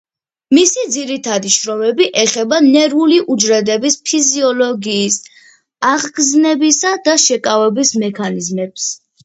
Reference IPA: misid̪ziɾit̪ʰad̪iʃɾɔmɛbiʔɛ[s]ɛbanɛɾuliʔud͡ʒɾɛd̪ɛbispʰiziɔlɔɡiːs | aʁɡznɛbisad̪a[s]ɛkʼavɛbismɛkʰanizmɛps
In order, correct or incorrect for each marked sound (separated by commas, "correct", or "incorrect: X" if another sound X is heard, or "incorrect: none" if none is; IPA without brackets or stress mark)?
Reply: incorrect: χ, incorrect: ʃ